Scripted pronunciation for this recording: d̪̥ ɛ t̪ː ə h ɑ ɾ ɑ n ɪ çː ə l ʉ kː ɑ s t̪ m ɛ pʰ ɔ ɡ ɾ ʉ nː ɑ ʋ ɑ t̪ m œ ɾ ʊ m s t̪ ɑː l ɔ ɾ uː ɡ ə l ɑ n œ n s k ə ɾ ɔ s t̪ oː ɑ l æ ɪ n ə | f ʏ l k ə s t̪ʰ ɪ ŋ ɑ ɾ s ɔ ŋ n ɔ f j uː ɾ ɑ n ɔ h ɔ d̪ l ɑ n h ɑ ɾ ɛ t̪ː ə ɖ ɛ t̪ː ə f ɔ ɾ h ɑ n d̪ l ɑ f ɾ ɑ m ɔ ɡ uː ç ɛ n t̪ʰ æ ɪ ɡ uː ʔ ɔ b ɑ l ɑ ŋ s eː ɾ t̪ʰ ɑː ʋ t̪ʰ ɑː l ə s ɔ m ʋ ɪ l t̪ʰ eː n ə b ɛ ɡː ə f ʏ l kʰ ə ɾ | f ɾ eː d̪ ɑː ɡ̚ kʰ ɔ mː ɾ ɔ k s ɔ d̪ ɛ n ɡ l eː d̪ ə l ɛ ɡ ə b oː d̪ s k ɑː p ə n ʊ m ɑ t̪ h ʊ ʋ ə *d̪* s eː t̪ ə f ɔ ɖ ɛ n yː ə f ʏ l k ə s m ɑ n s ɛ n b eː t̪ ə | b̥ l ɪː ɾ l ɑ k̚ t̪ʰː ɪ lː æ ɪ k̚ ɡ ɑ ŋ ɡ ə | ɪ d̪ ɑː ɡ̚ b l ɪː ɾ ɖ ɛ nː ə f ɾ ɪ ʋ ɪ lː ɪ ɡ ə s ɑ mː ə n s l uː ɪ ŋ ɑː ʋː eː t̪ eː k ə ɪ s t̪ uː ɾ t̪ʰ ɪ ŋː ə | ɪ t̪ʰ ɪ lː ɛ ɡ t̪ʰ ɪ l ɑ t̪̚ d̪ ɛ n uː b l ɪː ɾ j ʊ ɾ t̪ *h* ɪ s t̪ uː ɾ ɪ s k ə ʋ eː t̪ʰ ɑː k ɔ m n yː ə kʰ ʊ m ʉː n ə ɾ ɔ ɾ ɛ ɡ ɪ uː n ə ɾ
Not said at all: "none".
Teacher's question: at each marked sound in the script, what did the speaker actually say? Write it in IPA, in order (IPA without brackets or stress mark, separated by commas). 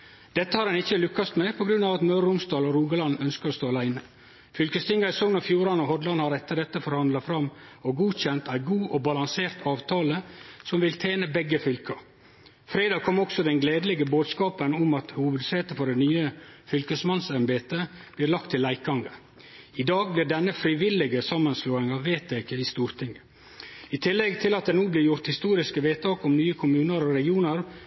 d̪, h